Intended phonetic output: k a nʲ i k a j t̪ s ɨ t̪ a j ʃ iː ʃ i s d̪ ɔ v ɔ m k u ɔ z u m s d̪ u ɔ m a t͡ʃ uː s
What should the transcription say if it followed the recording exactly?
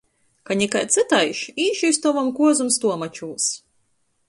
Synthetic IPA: k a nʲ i k a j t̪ s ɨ t̪ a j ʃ iː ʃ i s t̪ ɔ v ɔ m k u ɔ z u m s t̪ u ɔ m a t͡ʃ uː s